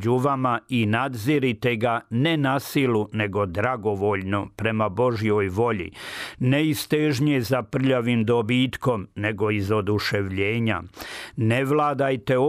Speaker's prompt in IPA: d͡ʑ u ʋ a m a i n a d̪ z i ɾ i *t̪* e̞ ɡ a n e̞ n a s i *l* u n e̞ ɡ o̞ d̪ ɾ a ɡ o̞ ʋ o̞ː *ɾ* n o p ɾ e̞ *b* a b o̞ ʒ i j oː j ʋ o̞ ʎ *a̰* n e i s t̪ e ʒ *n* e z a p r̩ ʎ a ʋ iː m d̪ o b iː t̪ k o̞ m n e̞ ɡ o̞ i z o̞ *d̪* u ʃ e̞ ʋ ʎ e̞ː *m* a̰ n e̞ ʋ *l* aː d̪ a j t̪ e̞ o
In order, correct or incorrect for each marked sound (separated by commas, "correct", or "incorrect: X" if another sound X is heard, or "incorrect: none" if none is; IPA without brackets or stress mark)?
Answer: correct, correct, incorrect: ʎ, incorrect: m, incorrect: ḭ, incorrect: ɲ, correct, incorrect: ɲ, correct